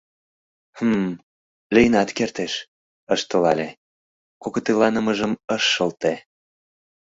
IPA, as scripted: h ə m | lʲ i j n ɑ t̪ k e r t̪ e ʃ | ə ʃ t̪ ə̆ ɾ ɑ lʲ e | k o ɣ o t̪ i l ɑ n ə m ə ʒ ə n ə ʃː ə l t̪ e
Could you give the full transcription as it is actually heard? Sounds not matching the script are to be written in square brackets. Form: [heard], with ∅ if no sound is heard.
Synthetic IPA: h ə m | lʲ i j n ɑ t̪ k e r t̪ e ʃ | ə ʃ t̪ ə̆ [l] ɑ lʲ e | k o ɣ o t̪ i l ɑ n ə m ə ʒ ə [m] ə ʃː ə l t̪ e